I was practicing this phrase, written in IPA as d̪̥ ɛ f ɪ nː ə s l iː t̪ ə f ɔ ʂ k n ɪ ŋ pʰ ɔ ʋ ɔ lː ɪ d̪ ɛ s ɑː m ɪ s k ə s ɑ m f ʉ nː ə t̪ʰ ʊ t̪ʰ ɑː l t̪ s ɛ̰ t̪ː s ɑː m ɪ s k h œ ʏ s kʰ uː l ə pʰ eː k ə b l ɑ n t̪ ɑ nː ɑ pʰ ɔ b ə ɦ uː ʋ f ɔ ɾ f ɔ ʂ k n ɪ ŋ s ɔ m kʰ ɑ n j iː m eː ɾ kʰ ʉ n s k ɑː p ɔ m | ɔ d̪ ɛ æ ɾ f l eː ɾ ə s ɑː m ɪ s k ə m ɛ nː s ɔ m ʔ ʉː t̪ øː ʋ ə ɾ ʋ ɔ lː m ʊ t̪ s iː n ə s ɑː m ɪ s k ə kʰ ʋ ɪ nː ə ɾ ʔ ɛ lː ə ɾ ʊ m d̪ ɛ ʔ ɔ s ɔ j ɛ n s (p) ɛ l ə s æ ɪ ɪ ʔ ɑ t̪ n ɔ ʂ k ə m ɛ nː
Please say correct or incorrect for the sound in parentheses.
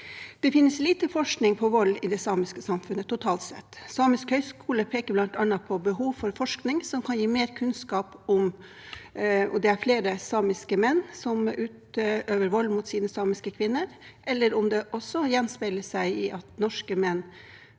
correct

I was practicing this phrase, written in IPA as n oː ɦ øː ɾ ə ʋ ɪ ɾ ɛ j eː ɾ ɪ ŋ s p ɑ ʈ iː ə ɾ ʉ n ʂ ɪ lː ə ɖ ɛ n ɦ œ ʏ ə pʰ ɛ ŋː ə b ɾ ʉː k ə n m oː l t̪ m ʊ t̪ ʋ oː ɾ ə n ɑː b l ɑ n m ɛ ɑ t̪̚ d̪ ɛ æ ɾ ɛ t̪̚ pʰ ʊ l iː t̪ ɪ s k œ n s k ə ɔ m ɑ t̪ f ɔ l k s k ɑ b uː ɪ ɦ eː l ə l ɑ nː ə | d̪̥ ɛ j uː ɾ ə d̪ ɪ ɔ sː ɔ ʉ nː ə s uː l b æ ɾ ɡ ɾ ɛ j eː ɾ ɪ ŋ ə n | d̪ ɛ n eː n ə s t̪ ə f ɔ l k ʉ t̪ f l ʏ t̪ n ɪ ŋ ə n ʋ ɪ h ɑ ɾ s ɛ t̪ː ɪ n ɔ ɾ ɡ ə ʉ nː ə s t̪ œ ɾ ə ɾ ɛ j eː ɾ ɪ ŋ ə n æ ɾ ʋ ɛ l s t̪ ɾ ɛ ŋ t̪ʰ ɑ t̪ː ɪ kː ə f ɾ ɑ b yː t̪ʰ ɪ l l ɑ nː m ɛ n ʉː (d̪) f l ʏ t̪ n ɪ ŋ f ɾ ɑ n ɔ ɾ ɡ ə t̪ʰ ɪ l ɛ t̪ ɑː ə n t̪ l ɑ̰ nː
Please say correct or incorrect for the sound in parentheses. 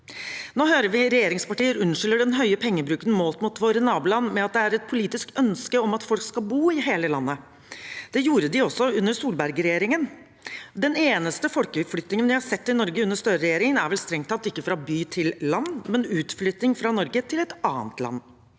incorrect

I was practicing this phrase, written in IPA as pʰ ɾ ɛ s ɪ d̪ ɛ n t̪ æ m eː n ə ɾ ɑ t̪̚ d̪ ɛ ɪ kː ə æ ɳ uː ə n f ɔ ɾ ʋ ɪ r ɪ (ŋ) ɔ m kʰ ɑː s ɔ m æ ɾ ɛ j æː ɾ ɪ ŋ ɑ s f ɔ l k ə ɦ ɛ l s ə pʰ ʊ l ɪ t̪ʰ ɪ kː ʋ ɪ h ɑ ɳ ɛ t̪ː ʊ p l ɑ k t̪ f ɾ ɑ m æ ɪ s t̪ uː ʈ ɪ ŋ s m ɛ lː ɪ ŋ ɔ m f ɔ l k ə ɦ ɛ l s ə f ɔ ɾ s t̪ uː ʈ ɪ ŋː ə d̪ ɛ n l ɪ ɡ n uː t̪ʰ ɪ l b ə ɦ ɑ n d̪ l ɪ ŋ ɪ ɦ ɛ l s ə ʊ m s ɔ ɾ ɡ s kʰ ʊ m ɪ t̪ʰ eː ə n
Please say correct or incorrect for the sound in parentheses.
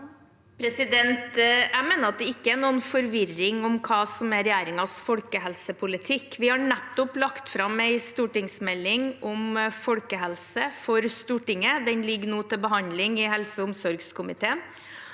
correct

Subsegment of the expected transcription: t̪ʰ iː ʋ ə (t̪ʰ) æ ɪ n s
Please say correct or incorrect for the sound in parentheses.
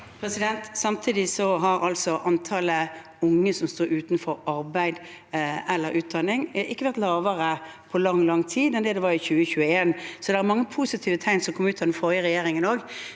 correct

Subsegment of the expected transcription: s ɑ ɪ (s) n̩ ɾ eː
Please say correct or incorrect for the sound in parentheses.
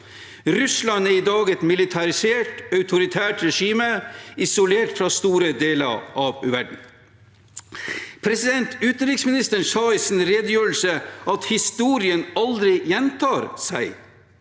correct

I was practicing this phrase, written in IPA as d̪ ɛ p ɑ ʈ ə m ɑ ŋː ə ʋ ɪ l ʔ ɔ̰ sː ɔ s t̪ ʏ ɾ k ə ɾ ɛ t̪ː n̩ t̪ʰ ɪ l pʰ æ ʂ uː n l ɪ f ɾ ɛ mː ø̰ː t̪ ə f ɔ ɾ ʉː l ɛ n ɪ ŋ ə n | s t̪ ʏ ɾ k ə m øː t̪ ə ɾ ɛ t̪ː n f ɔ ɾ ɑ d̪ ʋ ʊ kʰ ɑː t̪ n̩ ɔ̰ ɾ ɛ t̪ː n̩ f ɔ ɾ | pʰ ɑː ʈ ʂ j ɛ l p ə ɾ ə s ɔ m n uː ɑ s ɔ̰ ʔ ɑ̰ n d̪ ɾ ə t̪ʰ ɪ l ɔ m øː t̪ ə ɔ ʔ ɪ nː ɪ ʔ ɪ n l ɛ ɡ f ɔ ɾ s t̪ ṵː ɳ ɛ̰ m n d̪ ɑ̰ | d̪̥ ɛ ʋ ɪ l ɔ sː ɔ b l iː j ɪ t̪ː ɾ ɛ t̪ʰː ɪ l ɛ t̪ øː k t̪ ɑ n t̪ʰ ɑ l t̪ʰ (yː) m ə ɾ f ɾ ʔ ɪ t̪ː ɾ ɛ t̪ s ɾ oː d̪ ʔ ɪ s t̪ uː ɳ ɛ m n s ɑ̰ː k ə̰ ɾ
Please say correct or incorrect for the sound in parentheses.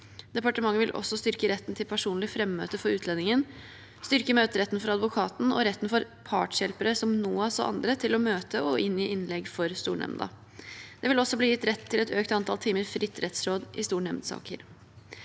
incorrect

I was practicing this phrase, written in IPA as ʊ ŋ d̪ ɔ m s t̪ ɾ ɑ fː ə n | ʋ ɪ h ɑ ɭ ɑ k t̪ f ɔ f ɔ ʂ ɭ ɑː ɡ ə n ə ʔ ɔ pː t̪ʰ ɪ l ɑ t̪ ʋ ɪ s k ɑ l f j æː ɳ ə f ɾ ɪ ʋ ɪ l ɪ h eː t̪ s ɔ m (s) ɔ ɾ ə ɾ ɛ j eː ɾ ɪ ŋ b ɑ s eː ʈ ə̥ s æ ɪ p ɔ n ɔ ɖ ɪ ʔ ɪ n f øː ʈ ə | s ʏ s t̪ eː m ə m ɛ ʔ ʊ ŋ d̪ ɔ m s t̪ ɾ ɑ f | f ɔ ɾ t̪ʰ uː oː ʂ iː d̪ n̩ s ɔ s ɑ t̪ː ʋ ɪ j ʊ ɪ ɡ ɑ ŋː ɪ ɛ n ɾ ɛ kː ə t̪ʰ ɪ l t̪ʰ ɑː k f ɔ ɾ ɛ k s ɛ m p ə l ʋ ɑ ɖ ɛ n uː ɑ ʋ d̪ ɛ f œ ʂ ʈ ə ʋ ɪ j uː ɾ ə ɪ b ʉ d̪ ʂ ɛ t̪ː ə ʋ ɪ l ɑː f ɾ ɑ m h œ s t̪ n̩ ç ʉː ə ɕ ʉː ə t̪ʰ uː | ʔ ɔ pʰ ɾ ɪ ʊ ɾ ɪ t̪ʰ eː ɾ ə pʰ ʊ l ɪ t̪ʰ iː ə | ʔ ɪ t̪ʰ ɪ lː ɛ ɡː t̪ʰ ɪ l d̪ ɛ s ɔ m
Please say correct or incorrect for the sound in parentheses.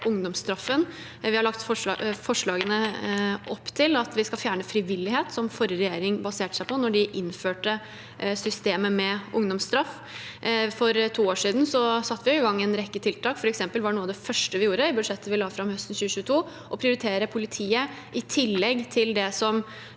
incorrect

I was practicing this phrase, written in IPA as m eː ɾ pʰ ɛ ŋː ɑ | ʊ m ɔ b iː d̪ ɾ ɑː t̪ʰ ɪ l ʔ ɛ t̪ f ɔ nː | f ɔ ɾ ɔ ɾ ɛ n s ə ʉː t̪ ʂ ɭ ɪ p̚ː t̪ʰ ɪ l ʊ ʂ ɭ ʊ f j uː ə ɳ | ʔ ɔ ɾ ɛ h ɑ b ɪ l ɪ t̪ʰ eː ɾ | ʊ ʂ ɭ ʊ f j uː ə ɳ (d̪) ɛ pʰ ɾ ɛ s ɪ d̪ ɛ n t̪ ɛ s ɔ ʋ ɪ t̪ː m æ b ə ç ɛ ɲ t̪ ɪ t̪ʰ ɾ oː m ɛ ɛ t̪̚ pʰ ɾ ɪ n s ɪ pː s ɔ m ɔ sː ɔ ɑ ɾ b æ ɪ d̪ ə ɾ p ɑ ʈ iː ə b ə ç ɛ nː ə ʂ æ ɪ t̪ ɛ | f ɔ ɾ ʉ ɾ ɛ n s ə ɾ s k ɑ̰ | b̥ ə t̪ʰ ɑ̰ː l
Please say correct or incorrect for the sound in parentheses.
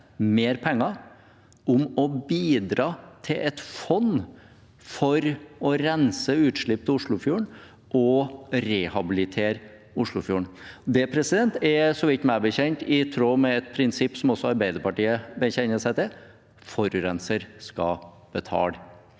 correct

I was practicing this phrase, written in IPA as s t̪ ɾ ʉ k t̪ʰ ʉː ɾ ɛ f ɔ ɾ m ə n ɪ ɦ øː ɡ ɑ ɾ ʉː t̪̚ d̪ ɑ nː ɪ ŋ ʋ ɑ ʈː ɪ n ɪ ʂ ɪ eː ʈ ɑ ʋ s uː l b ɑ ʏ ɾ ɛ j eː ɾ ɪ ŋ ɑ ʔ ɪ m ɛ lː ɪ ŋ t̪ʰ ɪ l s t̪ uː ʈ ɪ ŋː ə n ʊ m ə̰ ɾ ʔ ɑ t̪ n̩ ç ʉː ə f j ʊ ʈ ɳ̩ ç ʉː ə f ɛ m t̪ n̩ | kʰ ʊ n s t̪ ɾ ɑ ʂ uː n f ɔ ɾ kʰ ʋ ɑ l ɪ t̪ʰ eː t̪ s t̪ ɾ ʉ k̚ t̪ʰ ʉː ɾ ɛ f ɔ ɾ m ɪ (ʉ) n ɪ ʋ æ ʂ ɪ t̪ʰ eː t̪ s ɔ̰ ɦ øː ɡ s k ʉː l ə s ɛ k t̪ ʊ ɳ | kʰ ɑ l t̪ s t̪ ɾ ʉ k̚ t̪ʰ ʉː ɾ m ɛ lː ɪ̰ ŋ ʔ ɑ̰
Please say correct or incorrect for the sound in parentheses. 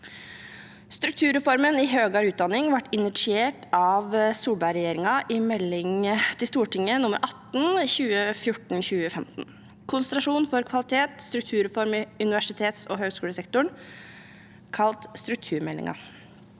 correct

